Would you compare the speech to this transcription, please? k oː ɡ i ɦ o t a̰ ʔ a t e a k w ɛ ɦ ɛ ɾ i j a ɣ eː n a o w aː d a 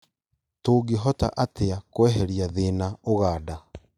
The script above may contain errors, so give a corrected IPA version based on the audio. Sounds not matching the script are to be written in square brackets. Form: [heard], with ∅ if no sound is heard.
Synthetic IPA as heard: [t] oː ɡ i ɦ [ɔ] t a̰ ʔ a t e a k w ɛ ɦ ɛ ɾ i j a [ð] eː n a o [ɣ] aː d a

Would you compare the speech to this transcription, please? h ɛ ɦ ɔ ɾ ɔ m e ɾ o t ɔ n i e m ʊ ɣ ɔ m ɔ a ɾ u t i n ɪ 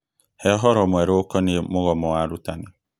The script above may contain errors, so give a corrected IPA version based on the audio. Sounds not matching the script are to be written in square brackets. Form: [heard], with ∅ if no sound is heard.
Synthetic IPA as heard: h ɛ ɦ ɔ ɾ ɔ m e ɾ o [k] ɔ n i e m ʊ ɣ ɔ m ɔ a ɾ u t [a] n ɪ

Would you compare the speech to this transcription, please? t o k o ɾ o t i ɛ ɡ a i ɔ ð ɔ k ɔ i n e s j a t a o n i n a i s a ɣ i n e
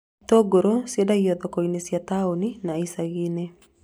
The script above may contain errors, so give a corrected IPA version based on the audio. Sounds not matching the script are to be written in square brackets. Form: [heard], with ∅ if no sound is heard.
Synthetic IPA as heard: t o [ɡ] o ɾ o [s] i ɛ [d] a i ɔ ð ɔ k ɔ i n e s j a t a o n i n a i s a ɣ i n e

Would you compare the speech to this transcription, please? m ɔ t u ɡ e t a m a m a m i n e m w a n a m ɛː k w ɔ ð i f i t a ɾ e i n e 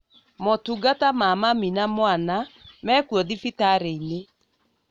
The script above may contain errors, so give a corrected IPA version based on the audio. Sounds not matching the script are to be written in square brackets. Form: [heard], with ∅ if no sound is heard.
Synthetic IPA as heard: m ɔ t u ɡ [a] t a m a m a m i n [a] m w a n a m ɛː k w ɔ ð i f i t a ɾ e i n e

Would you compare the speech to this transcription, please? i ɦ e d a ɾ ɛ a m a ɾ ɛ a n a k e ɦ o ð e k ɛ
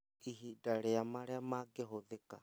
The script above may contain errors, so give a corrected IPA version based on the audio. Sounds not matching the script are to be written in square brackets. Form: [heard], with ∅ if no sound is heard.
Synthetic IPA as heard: i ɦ [i] d a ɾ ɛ a m a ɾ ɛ a [m] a [ɡ] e ɦ o ð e k [a]

